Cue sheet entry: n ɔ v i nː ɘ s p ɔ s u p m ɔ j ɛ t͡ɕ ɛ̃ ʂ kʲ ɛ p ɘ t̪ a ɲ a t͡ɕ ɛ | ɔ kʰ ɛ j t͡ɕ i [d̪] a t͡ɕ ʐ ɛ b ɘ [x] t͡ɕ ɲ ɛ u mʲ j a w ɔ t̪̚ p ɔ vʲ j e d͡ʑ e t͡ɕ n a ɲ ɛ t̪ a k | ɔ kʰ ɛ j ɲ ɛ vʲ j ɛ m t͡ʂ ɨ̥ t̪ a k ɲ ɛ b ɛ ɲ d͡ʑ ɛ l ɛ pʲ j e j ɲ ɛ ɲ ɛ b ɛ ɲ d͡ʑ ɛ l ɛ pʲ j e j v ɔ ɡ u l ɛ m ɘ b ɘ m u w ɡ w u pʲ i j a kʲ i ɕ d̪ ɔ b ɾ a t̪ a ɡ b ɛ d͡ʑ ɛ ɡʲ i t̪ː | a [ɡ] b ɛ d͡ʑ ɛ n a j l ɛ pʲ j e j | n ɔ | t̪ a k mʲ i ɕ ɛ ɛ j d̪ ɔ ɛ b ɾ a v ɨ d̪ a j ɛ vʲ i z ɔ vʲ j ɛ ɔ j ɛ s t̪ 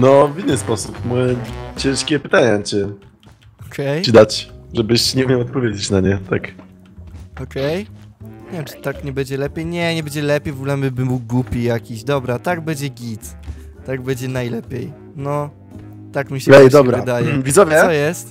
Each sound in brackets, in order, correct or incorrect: correct, incorrect: ɕ, correct

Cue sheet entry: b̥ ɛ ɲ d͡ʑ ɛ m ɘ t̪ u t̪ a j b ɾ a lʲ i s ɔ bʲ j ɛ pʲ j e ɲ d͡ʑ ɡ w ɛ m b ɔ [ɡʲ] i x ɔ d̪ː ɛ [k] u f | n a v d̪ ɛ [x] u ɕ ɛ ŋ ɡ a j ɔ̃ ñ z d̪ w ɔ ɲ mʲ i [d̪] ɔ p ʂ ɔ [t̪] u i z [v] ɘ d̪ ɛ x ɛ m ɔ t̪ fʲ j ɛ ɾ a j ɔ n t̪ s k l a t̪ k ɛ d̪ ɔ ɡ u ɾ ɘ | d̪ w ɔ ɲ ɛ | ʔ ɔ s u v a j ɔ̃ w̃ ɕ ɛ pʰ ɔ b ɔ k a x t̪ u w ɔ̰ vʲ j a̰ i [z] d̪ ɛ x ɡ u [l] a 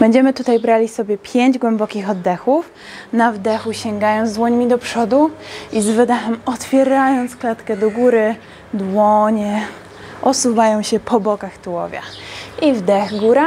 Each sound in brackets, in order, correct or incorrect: incorrect: kʲ, incorrect: x, correct, correct, incorrect: d̪, correct, incorrect: v, incorrect: ɾ

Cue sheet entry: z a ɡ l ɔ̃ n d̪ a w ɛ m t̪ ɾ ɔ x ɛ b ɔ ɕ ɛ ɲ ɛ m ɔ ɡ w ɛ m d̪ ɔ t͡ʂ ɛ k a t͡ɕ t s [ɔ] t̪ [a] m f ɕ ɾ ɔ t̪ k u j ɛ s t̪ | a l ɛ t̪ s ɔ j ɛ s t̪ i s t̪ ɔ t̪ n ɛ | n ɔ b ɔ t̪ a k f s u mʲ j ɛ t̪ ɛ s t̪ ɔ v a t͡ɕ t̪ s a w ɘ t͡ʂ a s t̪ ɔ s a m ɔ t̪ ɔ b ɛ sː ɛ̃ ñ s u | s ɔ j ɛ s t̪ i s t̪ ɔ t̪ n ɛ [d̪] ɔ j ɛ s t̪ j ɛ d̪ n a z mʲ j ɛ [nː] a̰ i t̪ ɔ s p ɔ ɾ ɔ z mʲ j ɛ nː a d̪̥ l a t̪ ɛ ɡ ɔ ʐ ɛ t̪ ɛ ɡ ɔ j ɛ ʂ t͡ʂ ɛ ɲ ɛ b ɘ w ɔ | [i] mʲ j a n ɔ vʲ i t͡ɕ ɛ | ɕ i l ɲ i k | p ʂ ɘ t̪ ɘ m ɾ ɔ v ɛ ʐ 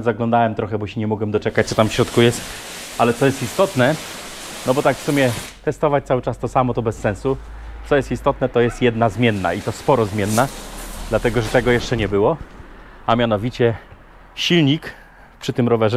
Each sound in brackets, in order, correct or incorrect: correct, correct, incorrect: t̪, correct, incorrect: a

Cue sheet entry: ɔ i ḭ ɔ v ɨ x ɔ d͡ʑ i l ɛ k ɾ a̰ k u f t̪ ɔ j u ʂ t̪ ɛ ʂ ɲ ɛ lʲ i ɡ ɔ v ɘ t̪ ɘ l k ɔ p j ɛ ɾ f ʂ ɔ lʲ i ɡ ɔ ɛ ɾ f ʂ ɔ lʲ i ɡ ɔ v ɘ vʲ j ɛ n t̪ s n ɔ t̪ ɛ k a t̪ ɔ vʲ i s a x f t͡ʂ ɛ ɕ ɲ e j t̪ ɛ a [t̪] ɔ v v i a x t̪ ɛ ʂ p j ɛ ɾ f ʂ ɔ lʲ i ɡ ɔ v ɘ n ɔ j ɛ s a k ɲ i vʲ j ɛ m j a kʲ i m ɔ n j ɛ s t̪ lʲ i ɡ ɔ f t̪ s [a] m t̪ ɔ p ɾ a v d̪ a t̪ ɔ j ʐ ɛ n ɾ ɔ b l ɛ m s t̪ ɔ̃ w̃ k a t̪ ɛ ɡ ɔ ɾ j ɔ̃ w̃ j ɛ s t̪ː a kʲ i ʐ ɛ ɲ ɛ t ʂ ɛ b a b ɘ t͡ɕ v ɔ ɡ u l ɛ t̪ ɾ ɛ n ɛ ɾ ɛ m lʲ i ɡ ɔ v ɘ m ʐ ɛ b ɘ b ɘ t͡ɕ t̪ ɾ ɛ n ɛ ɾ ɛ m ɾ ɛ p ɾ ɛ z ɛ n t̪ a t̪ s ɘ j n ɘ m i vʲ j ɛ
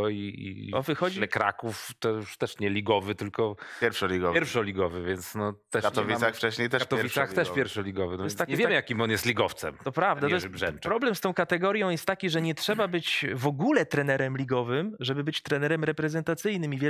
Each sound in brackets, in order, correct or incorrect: correct, incorrect: ɛ

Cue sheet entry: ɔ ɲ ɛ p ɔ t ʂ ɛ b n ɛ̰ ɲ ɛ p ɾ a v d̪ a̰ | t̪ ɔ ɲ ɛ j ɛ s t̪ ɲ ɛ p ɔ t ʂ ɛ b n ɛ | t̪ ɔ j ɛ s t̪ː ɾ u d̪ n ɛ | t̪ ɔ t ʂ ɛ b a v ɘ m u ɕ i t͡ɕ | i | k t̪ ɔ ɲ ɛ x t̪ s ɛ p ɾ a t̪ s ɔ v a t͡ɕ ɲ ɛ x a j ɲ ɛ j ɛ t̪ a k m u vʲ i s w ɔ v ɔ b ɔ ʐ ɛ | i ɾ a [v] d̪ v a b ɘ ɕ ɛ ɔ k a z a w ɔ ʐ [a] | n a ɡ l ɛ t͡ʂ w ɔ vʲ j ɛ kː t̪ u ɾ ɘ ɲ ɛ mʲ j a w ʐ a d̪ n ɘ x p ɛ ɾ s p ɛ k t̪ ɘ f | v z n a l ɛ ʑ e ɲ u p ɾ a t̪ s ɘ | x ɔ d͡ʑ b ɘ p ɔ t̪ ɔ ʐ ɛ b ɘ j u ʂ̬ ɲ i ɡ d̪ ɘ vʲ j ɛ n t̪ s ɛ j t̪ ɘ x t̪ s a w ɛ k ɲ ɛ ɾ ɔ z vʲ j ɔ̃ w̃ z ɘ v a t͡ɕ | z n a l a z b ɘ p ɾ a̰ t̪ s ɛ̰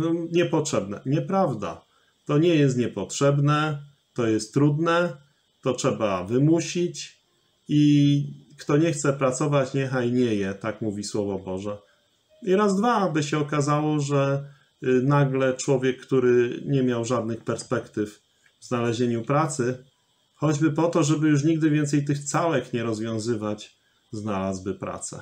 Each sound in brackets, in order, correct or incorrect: incorrect: z, incorrect: ɛ

